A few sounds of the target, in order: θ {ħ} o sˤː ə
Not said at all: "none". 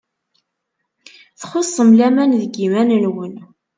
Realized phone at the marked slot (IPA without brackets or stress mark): χ